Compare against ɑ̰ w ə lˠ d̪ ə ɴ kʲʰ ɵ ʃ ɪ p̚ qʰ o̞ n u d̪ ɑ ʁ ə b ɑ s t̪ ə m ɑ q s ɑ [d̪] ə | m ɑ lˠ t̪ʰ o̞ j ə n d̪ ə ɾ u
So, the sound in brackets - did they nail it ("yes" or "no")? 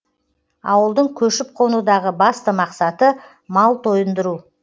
no